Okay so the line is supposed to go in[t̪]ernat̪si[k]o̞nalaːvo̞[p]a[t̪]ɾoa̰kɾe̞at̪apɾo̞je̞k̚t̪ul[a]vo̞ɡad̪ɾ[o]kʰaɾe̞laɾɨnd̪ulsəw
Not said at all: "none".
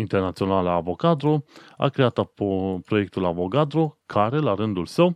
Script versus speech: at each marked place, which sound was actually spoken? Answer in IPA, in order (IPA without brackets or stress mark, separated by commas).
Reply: t̪, none, k, d̪, a, o